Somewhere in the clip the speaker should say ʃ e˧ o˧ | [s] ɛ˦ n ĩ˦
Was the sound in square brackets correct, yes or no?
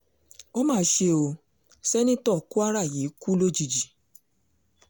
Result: yes